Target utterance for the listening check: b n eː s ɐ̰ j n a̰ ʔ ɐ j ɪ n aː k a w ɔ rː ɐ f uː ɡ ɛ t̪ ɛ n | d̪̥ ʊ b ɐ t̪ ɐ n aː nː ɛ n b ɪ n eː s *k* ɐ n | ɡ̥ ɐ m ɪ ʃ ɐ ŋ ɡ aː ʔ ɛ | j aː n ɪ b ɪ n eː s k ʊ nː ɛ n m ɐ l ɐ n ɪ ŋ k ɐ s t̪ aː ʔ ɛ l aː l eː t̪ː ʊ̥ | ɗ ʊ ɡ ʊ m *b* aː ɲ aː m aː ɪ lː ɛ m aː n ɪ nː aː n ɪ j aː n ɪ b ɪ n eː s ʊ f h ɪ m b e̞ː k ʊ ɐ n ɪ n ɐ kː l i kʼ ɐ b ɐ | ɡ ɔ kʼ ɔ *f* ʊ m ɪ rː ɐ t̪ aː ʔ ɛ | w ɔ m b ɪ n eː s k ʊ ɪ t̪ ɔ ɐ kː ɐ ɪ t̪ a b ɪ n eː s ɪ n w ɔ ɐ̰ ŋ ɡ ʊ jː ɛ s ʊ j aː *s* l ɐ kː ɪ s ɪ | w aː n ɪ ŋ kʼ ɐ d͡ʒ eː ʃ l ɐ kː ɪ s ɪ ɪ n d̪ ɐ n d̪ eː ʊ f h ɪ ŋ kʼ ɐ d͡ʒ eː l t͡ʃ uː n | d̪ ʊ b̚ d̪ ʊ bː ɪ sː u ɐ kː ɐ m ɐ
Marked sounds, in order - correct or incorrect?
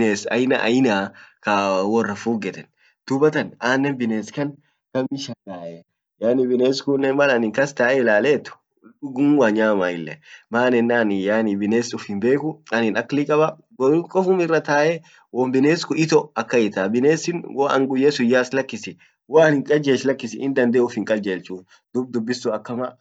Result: correct, incorrect: w, correct, correct

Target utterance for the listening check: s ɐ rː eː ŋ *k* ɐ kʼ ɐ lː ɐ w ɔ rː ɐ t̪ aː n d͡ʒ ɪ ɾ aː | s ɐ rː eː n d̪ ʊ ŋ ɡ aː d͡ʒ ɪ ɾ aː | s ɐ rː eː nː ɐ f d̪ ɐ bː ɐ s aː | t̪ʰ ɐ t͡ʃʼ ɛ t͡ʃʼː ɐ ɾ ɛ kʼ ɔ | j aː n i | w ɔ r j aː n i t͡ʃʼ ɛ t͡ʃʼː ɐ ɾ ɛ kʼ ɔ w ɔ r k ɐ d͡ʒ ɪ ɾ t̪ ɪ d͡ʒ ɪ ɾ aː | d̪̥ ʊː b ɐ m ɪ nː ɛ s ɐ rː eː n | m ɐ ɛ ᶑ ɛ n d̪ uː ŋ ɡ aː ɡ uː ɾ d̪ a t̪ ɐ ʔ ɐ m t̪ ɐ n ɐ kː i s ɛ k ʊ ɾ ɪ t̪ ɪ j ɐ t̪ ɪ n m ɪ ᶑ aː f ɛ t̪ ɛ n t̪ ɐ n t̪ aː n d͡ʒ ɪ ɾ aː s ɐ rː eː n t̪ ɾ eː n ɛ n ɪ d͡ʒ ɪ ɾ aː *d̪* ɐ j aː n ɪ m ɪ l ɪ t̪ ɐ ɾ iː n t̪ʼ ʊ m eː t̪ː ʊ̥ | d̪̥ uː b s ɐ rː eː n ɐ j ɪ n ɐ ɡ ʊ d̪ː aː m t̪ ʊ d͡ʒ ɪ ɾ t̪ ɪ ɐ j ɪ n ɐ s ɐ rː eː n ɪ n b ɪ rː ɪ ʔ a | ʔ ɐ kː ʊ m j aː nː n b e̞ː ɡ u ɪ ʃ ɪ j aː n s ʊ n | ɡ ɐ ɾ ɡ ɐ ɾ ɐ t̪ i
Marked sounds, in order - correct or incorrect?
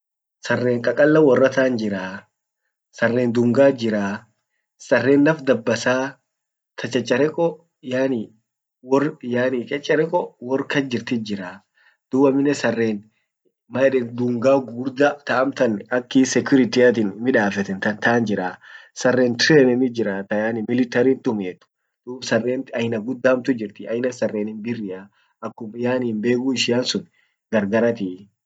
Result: incorrect: kʼ, incorrect: t̪

